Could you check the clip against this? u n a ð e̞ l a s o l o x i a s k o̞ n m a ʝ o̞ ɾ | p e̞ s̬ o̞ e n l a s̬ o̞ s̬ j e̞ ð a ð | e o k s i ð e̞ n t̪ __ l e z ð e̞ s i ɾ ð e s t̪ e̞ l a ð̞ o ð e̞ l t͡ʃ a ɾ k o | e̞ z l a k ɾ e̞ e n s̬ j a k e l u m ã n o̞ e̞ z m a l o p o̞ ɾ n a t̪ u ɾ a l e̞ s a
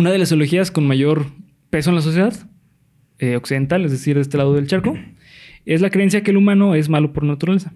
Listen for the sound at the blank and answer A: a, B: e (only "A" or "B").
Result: A